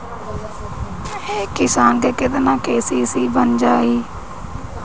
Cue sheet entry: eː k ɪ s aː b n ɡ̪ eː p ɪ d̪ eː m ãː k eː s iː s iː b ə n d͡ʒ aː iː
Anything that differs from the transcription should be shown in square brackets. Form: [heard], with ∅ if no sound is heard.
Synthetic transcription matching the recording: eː k ɪ s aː [∅] n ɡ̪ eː [k] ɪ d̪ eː [n] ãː k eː s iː s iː b ə n d͡ʒ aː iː

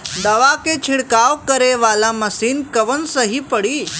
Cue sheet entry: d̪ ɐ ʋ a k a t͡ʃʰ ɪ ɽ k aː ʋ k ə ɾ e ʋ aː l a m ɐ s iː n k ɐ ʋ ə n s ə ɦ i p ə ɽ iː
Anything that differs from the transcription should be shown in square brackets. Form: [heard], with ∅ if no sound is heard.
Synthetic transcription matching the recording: d̪ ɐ ʋ a k [e] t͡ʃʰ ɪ ɽ k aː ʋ k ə ɾ e ʋ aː l a m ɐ s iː n k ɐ ʋ ə n s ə ɦ i p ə ɽ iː

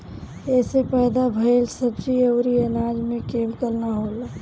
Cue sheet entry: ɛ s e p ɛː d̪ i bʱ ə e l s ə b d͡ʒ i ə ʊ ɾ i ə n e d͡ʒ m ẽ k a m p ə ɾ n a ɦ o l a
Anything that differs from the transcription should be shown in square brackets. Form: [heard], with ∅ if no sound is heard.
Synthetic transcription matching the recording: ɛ s e p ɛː d̪ [a] bʱ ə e l s ə b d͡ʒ i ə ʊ ɾ i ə n [a] d͡ʒ m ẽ k [e] m [k] ə ɾ n a ɦ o l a

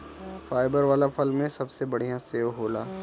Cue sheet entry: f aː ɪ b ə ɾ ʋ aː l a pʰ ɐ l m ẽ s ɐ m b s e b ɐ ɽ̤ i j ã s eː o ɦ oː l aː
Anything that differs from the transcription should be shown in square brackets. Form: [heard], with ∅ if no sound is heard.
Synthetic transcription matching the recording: f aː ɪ b ə ɾ ʋ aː l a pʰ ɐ l m ẽ s ɐ [∅] b s e b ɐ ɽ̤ i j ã s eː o ɦ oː l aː

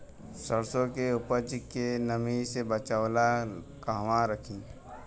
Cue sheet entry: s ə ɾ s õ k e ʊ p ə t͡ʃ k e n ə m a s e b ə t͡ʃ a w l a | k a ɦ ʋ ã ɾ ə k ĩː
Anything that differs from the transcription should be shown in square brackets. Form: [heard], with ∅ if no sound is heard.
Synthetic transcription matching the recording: s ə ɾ s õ k e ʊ p ə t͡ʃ k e n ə m [i] s e b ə t͡ʃ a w l a | k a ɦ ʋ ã ɾ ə [kʰ] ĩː

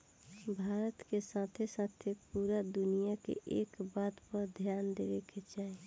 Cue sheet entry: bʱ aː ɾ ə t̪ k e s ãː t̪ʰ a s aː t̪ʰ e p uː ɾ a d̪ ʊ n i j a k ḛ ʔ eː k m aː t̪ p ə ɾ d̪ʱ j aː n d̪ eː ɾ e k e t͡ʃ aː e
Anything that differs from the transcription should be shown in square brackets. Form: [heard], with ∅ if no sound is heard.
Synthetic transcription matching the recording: bʱ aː ɾ ə t̪ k e s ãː t̪ʰ [e] s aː t̪ʰ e p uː ɾ a d̪ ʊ n i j a k ḛ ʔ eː k [b] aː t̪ p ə ɾ d̪ʱ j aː n d̪ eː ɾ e k e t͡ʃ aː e

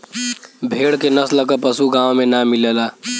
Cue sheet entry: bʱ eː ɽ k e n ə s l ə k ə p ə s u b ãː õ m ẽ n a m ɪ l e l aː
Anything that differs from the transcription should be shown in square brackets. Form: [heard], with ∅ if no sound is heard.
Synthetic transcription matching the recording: bʱ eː ɽ k e n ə s l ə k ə p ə s u [ɡ] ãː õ m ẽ n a m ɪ l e l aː

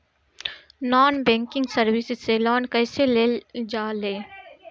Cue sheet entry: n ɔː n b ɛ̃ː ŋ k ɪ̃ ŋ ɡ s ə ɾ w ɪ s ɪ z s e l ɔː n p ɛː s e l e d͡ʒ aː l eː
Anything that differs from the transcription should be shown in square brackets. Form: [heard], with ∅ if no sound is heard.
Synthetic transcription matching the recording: n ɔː n b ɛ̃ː ŋ k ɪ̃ ŋ ɡ s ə ɾ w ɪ s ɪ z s e l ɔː n [k] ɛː s e l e d͡ʒ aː l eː

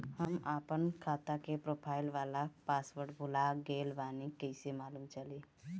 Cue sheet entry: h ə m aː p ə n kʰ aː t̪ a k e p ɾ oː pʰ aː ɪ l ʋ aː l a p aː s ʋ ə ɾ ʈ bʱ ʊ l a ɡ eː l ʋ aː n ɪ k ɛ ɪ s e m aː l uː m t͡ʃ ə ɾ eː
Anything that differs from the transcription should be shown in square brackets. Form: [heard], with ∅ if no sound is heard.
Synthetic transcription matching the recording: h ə m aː p ə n kʰ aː t̪ a k e p ɾ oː pʰ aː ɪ l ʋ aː l a p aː s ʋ ə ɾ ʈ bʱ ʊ l a ɡ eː l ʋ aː n [i] k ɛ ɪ s e m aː l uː m t͡ʃ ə [l] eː

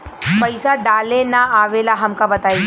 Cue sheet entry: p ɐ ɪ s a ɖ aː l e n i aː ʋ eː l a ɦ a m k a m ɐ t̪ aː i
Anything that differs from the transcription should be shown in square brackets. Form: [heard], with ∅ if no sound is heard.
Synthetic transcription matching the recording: p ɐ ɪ s a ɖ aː l e n [a] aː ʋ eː l a ɦ [ɐ] m k a [b] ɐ t̪ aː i

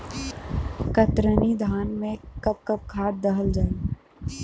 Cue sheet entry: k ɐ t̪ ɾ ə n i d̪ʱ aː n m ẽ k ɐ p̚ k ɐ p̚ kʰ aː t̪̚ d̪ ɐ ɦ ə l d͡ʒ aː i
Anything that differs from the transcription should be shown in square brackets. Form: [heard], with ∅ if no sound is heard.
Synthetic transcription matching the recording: k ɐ t̪ ɾ ə n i d̪ʱ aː n m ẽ k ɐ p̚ k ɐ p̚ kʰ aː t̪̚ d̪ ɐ ɦ ə l d͡ʒ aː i

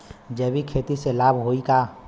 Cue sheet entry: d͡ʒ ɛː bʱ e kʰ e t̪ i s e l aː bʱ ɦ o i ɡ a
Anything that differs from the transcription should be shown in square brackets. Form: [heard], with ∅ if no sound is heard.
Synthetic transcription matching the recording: d͡ʒ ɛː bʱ [i] kʰ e t̪ i s e l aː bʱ ɦ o i [k] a

